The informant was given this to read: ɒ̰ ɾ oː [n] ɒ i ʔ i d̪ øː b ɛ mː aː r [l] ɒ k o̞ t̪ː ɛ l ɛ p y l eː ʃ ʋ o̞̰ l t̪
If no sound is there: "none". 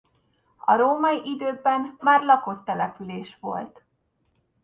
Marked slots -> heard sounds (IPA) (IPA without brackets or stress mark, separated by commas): m, l